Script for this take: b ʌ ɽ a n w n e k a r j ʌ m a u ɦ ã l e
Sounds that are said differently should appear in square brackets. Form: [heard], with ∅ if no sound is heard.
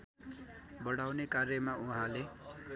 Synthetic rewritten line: b ʌ ɽ a [∅] w n e k a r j ʌ m a u ɦ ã l e